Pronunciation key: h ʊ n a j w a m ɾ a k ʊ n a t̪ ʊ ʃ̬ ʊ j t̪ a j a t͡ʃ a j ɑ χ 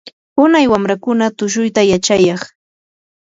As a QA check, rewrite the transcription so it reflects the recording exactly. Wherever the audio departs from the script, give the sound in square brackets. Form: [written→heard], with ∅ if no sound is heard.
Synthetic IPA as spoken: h ʊ n a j w a m ɾ a k ʊ n a t̪ ʊ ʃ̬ ʊ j t̪ a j a t͡ʃ a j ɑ χ